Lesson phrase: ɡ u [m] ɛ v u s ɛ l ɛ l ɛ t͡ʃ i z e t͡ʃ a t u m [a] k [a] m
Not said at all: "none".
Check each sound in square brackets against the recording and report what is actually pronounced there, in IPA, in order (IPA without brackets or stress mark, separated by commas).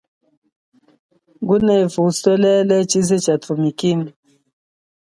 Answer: n, i, i